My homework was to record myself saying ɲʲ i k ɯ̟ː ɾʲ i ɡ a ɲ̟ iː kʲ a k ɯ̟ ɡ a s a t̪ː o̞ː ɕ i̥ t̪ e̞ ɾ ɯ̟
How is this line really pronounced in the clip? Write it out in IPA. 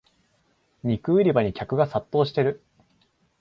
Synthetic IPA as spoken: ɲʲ i k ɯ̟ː ɾʲ i b a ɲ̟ i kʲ a k ɯ̟ ɡ a s a t̪ː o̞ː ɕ i̥ t̪ e̞ ɾ ɯ̟